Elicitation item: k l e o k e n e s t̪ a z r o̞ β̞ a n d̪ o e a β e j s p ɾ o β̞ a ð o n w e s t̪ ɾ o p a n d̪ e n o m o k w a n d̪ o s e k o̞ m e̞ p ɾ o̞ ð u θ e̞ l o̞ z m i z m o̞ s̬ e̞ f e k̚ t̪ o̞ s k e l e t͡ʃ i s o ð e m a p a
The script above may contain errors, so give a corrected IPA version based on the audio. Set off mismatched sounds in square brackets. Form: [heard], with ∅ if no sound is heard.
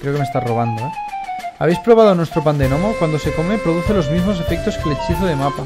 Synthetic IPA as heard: k [ɾ] e o k e [m] e s t̪ a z r o̞ β̞ a n d̪ o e a β e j s p ɾ o β̞ a ð o n w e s t̪ ɾ o p a n d̪ e n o m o k w a n d̪ o s e k o̞ m e̞ p ɾ o̞ ð u θ e̞ l o̞ z m i z m o̞ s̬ e̞ f e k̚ t̪ o̞ s k e l e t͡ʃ i [θ] o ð e m a p a